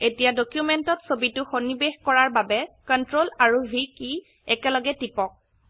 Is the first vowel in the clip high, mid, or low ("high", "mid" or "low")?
mid